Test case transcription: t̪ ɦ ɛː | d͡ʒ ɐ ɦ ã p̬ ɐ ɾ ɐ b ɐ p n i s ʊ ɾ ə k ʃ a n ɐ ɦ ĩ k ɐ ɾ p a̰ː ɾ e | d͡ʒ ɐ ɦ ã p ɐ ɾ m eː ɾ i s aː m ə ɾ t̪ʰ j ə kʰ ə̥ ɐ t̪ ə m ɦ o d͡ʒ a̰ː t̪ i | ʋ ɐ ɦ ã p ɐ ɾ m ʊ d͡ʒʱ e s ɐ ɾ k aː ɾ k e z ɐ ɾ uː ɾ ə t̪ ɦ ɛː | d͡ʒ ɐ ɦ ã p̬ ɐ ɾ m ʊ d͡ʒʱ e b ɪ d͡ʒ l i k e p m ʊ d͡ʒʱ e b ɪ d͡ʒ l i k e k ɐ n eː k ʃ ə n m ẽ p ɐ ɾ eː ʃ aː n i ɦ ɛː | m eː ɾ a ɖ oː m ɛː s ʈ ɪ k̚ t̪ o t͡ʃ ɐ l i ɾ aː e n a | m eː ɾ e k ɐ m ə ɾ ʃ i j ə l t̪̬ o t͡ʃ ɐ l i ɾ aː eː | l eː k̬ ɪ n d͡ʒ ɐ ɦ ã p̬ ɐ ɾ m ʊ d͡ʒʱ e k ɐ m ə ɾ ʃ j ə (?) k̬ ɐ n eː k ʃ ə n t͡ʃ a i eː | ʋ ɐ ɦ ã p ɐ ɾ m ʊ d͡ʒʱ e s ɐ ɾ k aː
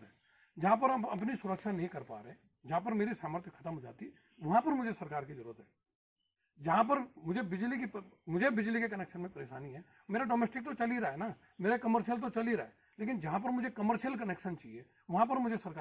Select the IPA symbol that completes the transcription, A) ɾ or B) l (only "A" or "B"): B